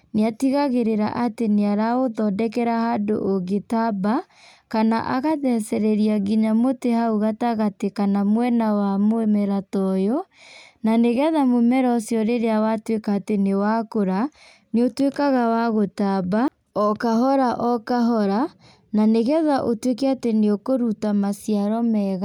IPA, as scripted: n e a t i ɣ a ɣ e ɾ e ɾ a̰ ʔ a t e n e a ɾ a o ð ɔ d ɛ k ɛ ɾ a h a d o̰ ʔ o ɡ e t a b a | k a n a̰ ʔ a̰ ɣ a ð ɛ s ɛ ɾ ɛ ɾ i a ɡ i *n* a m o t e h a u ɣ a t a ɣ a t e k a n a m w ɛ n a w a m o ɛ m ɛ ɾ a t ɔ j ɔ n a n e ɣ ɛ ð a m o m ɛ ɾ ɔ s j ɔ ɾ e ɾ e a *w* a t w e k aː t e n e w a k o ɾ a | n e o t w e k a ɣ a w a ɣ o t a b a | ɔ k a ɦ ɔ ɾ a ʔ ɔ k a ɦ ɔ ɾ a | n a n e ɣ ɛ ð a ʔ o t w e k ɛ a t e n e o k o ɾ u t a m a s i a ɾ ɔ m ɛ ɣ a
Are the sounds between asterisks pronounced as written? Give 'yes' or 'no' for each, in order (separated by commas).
no, yes